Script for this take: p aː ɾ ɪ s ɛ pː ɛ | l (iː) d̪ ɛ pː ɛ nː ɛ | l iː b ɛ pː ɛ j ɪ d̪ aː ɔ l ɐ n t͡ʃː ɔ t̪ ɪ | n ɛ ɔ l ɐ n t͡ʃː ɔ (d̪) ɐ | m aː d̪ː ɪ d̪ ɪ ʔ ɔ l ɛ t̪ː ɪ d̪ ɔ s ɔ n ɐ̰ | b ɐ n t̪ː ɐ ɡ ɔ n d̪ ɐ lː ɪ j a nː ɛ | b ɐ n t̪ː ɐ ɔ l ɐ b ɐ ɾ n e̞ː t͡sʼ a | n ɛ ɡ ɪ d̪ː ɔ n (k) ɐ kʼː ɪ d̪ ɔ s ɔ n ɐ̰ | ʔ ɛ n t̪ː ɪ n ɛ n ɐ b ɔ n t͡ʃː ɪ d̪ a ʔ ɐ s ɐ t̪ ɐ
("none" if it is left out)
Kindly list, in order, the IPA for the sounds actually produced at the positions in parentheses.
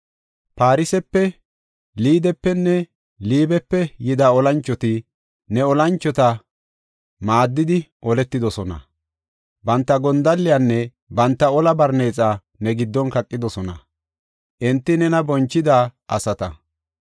iː, t̪, k

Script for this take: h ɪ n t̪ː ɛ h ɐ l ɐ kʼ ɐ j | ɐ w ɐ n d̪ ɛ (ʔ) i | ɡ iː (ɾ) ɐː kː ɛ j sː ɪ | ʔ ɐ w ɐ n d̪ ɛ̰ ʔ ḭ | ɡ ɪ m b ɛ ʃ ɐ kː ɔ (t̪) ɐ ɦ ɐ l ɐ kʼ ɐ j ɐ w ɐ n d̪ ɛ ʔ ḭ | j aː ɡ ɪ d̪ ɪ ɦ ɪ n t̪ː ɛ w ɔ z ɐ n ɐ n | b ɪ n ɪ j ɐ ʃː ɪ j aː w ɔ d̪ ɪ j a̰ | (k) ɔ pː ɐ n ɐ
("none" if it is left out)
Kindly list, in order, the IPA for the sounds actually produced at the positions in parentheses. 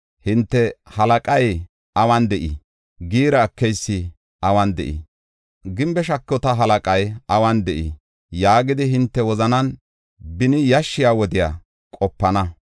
ʔ, ɾ, t̪, kʼ

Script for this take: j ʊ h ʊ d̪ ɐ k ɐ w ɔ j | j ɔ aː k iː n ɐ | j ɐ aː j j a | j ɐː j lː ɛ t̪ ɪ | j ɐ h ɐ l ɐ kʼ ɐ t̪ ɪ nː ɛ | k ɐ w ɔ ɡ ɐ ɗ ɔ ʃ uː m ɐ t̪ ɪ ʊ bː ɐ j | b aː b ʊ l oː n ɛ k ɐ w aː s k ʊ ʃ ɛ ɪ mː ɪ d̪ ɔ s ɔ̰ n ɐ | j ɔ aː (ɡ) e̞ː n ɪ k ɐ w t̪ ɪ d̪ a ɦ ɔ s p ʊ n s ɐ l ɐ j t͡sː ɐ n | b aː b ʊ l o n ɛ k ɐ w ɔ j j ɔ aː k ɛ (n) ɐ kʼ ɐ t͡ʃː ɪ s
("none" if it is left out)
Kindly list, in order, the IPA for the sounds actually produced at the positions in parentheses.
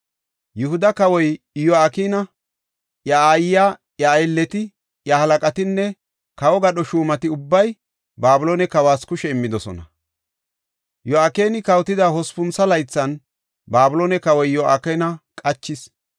k, n

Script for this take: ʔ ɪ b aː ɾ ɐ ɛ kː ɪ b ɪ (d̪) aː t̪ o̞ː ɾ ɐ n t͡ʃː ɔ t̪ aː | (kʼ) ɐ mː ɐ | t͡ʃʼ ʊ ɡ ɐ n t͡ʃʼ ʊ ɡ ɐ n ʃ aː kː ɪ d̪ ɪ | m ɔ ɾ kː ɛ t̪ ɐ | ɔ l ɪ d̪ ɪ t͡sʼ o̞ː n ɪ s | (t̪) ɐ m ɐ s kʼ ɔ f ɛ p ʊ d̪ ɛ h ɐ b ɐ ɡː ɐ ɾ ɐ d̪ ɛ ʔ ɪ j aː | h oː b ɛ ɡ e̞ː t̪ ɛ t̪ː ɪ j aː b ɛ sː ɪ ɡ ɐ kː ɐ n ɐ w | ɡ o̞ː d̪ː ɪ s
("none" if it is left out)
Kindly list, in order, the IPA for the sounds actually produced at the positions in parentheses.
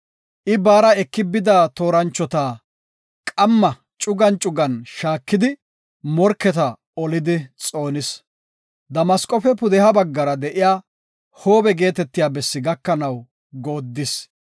d̪, kʼ, d̪

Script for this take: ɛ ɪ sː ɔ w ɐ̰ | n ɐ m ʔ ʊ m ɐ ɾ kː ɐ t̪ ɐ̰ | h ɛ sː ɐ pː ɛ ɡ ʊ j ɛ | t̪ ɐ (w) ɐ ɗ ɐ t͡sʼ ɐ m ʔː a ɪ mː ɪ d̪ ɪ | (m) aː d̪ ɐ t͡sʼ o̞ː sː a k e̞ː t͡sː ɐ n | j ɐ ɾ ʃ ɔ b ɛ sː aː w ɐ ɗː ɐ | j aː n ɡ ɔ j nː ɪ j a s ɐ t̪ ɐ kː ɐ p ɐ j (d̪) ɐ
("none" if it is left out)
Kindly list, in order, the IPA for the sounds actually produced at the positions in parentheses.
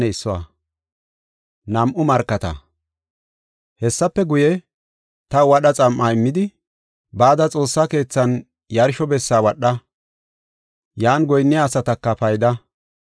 w, b, d̪

